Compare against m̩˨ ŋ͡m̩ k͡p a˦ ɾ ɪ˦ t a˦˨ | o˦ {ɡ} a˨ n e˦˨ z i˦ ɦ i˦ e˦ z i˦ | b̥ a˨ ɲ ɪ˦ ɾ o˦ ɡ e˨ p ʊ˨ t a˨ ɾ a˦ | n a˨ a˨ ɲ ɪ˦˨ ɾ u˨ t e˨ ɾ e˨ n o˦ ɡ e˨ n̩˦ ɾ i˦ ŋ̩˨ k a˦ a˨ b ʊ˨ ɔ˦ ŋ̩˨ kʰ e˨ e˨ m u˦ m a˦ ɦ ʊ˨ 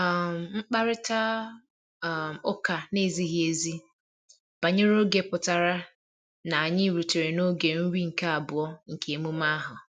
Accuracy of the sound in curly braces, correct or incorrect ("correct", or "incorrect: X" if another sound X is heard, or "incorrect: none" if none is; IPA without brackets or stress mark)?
incorrect: k